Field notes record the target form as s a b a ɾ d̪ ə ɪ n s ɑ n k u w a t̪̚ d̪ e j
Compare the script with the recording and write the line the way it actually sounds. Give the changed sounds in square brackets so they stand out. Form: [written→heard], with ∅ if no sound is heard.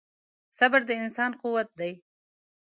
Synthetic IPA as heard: s a b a ɾ d̪ ə ɪ n s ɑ n [k→q] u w a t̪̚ d̪ [e→a] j